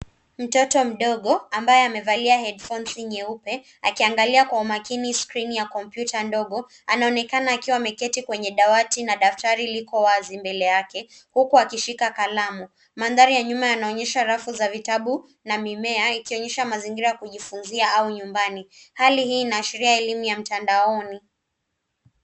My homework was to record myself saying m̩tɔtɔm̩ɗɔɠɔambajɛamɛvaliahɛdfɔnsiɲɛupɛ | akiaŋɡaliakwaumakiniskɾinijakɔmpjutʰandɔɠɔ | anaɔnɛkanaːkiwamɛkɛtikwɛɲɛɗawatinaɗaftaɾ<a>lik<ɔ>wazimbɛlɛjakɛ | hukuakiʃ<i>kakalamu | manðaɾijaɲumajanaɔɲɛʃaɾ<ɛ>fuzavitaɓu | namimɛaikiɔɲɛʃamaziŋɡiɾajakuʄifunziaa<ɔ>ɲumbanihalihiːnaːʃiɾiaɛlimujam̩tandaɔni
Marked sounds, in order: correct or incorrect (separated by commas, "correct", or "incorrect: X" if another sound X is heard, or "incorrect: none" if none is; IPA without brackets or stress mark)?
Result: incorrect: i, correct, correct, incorrect: a, incorrect: u